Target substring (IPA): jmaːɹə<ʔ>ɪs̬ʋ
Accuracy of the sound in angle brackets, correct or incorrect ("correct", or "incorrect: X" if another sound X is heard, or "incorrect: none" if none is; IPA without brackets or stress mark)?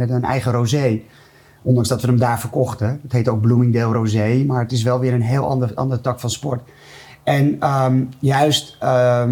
incorrect: t